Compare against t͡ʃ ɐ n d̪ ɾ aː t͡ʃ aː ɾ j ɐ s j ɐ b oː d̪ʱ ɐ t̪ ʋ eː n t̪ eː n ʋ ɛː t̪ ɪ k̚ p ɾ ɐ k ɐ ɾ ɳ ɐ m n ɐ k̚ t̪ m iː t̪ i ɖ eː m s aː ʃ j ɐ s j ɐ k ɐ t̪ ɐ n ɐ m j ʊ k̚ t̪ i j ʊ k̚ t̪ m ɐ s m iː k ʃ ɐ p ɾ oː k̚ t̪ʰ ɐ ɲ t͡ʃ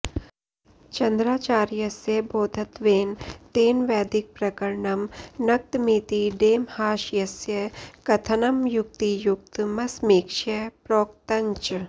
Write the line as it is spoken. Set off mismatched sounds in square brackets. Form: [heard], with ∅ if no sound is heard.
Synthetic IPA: t͡ʃ ɐ n d̪ ɾ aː t͡ʃ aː ɾ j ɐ s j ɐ b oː d̪ʱ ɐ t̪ ʋ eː n t̪ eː n ʋ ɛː [d̪] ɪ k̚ p ɾ ɐ k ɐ ɾ ɳ ɐ m n ɐ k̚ t̪ m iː t̪ i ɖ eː m [h] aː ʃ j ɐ s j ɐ k ɐ [t̪ʰ] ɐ n ɐ m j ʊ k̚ t̪ i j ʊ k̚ t̪ m ɐ s m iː k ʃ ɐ p ɾ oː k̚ [t̪] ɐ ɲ t͡ʃ